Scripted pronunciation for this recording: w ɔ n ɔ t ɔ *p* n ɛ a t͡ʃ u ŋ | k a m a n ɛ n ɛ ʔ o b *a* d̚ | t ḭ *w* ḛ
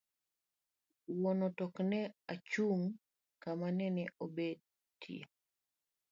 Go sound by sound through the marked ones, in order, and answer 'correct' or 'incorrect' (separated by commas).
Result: incorrect, incorrect, incorrect